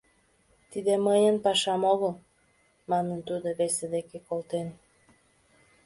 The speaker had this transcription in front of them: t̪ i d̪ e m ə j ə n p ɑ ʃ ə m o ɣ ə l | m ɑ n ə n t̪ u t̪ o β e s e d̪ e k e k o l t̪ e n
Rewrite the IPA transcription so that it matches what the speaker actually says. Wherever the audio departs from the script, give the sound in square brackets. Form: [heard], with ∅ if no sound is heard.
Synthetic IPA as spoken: t̪ i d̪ e m ə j ə n p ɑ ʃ [ɑ] m o ɣ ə l | m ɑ n ə n t̪ u [d̪] o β e s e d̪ e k e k o l t̪ e n